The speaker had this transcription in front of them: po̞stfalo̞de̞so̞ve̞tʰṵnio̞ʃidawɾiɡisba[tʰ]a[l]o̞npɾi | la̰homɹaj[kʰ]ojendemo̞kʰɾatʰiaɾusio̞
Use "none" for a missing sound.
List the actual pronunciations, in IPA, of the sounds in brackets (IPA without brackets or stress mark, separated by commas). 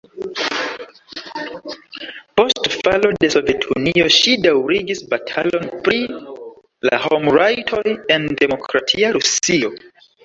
tʰ, l, tʰ